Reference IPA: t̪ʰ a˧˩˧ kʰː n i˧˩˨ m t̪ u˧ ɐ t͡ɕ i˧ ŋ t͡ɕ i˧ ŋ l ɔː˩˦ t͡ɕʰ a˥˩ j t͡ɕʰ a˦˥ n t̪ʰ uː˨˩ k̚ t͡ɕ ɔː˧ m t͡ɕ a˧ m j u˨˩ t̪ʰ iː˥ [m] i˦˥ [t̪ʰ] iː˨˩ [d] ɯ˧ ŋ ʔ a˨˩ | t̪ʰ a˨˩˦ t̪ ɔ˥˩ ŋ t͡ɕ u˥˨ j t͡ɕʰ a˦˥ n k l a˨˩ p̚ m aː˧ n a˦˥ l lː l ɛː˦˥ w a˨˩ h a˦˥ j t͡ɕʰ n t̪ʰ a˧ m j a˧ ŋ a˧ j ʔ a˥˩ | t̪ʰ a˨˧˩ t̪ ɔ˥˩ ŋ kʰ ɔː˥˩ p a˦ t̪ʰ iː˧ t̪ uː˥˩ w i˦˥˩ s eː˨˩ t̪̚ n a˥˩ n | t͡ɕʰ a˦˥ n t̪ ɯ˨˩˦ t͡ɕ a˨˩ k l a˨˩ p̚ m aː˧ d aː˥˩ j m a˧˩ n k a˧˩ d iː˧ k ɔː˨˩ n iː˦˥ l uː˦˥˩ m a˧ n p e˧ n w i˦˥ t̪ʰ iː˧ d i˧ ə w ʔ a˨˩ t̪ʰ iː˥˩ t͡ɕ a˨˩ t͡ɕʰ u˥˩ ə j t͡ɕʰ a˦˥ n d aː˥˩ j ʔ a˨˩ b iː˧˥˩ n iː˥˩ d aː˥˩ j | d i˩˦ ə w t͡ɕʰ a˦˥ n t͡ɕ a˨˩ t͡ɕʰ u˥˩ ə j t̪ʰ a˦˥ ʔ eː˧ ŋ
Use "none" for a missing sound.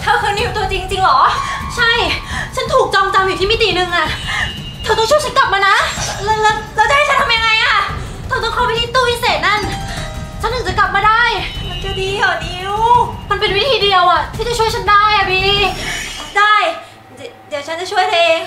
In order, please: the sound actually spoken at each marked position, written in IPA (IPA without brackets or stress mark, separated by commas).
m, t̪, n